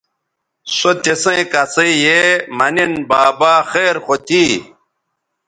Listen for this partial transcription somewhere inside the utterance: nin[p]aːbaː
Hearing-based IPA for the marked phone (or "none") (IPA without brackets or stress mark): b